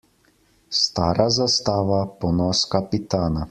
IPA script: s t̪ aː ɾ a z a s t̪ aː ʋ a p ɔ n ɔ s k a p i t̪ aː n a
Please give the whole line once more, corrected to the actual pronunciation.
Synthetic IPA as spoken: s t̪ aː ɾ a z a s t̪ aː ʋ a p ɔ n ɔ s k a p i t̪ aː n a